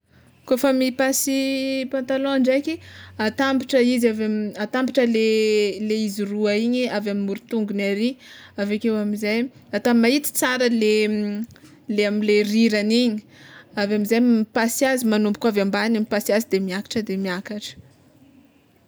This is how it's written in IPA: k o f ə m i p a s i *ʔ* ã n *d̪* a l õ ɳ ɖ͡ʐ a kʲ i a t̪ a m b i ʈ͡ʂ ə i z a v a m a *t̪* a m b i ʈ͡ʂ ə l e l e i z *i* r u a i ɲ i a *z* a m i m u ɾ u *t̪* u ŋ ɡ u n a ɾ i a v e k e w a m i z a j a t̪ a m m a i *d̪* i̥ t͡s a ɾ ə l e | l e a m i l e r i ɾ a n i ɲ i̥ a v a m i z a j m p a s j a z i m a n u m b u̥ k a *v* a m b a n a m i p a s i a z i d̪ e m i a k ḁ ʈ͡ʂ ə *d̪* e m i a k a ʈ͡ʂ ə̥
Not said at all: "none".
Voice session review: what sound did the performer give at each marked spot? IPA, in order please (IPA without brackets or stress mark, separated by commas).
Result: p, t̪, t̪, i, v, t̪, t̪, v, d̪